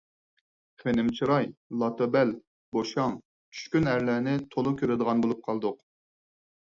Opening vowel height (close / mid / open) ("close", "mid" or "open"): mid